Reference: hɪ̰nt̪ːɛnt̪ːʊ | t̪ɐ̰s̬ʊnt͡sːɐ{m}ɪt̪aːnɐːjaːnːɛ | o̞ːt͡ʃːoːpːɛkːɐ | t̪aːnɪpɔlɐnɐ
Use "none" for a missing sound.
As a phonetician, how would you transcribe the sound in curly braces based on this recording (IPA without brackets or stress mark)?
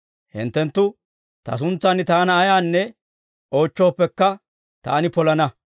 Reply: n